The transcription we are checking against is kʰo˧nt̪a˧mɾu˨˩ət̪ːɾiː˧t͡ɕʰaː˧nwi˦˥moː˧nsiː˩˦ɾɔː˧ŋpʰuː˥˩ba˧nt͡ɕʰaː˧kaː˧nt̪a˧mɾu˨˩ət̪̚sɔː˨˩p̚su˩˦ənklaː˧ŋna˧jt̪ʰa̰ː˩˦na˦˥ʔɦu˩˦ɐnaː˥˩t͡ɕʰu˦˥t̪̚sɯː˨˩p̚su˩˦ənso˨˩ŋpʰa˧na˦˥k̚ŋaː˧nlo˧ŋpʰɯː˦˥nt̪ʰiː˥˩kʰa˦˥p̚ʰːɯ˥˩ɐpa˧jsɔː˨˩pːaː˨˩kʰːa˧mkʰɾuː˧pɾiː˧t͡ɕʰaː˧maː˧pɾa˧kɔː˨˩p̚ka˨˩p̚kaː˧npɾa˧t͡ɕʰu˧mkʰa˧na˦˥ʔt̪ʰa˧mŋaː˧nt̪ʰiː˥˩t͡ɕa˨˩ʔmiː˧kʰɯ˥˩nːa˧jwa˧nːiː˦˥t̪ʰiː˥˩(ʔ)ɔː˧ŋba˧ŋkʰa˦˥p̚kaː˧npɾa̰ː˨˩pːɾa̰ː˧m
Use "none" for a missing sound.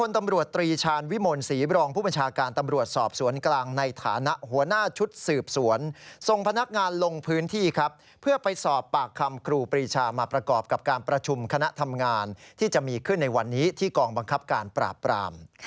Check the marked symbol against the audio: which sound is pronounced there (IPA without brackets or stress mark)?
k